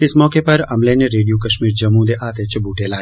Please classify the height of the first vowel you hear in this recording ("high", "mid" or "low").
high